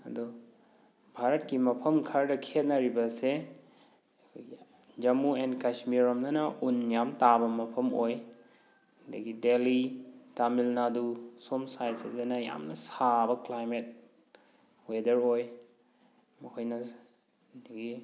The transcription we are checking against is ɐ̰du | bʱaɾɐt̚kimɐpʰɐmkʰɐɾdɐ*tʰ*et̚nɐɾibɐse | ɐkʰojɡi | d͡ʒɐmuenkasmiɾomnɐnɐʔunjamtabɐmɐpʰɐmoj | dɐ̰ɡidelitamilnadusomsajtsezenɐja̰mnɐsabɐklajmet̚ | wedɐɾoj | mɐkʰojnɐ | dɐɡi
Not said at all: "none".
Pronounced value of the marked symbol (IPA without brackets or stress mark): kʰ